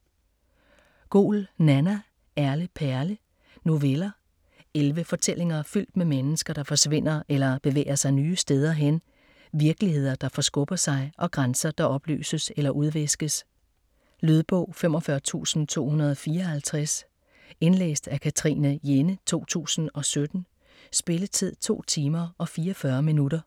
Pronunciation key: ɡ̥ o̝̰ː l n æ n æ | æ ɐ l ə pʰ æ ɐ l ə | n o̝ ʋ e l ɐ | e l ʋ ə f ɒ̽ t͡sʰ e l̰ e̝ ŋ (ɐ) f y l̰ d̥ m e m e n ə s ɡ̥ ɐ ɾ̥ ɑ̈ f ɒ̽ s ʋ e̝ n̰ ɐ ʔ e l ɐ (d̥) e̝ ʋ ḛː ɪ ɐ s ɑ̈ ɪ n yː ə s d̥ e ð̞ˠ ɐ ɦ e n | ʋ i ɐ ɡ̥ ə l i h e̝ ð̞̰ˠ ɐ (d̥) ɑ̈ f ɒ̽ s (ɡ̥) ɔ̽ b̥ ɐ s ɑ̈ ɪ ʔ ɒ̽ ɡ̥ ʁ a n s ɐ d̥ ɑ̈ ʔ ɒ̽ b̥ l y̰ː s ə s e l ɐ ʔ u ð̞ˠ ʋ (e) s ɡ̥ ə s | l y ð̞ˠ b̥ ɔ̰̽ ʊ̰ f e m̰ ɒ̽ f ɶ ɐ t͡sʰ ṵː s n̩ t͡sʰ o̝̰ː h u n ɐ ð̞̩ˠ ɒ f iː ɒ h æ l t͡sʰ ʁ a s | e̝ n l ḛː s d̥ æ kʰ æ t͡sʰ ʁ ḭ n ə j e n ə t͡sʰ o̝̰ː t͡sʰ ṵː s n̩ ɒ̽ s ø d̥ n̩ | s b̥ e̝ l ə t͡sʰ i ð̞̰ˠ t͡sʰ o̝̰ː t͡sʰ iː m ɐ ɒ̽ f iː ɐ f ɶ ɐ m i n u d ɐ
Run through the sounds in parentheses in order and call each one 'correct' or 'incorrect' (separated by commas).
correct, incorrect, correct, correct, correct